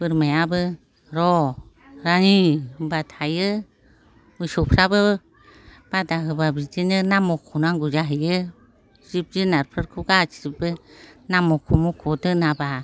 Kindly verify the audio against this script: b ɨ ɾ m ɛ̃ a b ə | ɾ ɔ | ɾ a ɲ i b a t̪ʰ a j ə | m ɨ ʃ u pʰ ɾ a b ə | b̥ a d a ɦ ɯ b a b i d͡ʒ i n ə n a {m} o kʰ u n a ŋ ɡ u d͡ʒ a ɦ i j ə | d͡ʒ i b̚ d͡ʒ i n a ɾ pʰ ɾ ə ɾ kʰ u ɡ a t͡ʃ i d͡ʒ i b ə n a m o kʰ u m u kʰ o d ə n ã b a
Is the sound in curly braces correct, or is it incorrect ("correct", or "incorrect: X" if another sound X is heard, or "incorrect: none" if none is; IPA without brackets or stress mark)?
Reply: correct